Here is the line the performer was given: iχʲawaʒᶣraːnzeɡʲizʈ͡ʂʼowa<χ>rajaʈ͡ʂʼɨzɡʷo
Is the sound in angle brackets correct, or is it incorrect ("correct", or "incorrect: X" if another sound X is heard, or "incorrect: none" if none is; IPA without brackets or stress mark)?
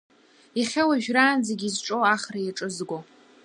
correct